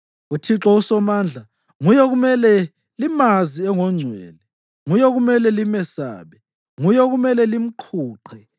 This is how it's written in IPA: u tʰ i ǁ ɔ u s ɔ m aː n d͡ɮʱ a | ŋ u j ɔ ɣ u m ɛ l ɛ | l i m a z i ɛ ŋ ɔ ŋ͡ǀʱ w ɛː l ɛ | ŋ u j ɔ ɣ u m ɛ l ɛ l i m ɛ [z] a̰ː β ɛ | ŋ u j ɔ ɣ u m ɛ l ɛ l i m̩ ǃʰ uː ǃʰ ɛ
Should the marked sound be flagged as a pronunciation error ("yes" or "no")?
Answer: yes